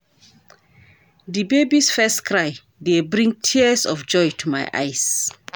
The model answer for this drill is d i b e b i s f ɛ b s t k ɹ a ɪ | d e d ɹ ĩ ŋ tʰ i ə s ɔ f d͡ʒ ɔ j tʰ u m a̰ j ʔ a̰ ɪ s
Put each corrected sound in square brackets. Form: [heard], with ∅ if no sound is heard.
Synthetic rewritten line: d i b e b i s f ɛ [∅] s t k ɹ a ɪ | d e [b] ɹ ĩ ŋ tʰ i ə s ɔ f d͡ʒ ɔ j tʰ u m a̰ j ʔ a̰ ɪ s

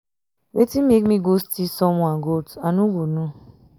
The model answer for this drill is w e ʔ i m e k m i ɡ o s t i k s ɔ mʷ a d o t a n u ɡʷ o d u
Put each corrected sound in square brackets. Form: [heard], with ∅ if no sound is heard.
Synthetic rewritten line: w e [t] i m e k m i ɡ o s t i [∅] s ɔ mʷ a [ɡ] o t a n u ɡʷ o [n] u

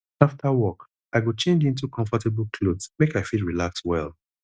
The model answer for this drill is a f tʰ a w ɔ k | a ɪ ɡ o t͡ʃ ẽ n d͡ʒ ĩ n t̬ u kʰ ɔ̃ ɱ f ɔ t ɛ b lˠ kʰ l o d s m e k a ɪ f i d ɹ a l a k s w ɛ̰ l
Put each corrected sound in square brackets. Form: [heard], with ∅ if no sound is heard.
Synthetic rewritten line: a f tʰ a w ɔ k | a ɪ ɡ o t͡ʃ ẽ n d͡ʒ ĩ n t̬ u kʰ ɔ̃ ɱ f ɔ t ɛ b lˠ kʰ l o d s m e k a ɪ f i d ɹ [i] l a k s w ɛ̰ l

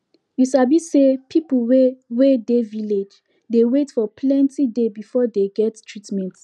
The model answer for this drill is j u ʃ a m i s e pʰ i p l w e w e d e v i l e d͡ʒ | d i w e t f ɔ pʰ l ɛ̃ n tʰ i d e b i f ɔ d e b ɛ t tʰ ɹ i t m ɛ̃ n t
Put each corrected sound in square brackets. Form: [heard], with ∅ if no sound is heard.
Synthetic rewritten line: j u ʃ a [b] i s e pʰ i p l w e w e d e v i l e d͡ʒ | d [e] w e t f ɔ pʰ l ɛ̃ n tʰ i d e b i f ɔ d e [ɡ] ɛ t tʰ ɹ i t m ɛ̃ n t

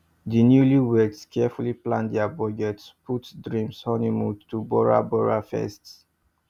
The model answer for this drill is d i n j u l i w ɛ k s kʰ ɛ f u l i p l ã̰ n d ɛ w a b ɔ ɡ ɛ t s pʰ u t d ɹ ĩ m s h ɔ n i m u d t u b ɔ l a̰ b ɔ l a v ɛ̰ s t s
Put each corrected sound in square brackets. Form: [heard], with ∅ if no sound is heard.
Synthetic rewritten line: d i n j u l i w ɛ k s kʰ ɛ f u l i p l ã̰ n d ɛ [∅] a b ɔ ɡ ɛ t s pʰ u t d ɹ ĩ m s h ɔ n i m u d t u b ɔ [ɹ] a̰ b ɔ [ɹ] a [f] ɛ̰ s t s

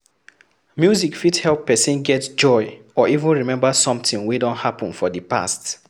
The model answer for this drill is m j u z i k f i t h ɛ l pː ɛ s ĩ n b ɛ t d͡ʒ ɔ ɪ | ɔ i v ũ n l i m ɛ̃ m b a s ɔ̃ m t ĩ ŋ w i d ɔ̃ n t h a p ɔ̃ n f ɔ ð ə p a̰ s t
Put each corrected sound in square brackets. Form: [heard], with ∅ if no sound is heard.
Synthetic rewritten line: m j u z i k f i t h ɛ l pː ɛ s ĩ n [ɡ] ɛ t d͡ʒ ɔ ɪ | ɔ i v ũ n [ɹ] i m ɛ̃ m b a s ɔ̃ m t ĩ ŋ w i d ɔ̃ n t h a p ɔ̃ n f ɔ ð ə p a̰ s t

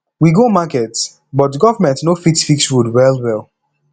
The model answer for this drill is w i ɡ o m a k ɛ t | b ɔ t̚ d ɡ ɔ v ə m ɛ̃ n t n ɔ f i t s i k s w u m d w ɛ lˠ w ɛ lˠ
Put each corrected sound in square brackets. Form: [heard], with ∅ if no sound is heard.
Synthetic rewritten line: w i ɡ o m a k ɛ t | b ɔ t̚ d ɡ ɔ v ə m ɛ̃ n t n [o] f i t [f] i k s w u [∅] d w ɛ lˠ w ɛ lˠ

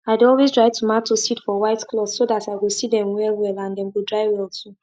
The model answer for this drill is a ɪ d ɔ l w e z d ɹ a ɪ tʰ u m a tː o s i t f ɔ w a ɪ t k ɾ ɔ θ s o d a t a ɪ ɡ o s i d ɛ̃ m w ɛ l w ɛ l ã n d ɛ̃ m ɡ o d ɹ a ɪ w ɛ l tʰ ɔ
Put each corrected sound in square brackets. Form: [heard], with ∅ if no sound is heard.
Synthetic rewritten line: a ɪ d ɔ l w e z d ɹ a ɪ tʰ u m a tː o s i t f ɔ w a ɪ t k [l] ɔ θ s o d a t a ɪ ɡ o s i d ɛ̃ m w ɛ l w ɛ l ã n d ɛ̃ m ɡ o d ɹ a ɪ w ɛ l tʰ [u]

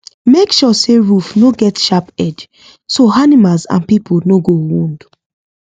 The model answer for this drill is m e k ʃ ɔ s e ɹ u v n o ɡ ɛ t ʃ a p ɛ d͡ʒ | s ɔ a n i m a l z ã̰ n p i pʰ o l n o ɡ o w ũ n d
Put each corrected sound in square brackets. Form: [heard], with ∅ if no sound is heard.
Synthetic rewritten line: m e k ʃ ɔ s e ɹ u [f] n o ɡ ɛ t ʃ a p ɛ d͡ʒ | s [o] a n i m a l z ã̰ n p i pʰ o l n o ɡ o w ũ n d

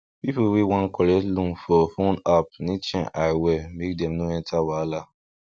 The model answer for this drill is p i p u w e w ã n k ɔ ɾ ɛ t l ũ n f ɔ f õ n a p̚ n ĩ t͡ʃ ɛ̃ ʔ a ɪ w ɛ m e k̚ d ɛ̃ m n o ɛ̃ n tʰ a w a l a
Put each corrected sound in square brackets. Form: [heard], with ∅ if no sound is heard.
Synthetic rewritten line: p i p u w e w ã n k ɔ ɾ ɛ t l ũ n f ɔ f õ n a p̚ n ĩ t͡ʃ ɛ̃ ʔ a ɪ w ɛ m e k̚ d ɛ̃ m n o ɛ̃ n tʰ a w a l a

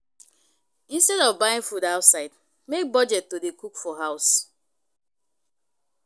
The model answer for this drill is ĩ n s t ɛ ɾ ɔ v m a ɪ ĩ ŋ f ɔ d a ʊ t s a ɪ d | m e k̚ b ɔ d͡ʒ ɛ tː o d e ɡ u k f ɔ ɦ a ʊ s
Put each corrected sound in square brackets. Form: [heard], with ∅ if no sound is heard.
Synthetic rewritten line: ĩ n s t ɛ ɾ ɔ v [b] a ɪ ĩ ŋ f [u] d a ʊ t s a ɪ d | m e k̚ b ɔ d͡ʒ ɛ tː o d e [k] u k f ɔ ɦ a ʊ s

